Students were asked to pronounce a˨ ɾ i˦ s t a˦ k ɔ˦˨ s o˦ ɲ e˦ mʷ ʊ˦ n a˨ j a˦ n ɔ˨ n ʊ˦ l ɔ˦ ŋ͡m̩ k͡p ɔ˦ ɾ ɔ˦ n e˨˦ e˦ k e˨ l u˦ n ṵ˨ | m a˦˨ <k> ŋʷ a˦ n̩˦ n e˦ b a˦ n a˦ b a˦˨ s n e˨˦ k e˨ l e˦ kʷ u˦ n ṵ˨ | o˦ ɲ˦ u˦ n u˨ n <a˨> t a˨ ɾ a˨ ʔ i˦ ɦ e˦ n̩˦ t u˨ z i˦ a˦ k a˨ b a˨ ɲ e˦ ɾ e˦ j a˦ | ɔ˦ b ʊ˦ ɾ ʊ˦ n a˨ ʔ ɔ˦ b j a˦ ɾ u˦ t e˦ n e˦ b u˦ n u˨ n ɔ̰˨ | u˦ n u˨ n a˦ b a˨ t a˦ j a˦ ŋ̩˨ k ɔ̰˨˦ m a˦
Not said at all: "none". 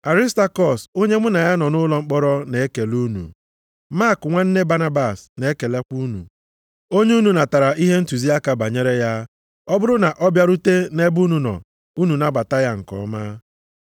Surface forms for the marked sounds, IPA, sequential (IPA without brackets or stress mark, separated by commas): k, a˨